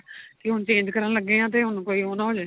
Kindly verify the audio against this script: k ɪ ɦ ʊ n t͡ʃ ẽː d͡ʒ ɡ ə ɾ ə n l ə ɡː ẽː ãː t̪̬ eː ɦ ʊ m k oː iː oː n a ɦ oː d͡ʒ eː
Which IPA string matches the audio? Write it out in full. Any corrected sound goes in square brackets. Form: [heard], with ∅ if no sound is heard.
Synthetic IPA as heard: k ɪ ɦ ʊ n t͡ʃ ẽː d͡ʒ [k] ə ɾ ə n l ə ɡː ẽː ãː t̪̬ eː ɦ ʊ [n] k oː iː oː n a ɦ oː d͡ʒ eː